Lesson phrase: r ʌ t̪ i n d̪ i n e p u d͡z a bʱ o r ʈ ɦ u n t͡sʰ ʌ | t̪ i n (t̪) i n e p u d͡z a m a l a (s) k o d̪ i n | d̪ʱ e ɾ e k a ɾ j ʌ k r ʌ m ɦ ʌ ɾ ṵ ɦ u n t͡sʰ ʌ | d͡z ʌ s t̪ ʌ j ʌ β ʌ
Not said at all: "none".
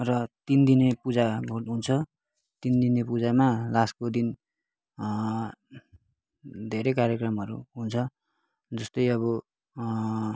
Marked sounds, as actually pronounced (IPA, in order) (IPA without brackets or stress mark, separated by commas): d̪, s